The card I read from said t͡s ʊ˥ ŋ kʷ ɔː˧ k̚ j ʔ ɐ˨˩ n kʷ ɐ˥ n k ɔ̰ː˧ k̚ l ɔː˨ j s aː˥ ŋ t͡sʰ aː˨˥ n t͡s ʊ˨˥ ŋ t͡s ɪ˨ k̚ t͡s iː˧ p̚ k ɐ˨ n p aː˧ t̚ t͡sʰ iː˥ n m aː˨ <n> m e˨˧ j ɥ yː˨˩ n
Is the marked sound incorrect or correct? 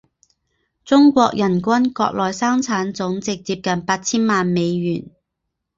correct